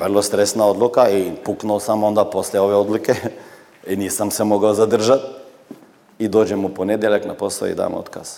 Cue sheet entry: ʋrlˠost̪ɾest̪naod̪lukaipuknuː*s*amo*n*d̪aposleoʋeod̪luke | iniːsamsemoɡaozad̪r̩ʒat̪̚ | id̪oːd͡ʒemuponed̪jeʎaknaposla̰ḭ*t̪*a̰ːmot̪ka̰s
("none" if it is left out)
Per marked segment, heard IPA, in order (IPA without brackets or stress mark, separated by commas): s, n, d̪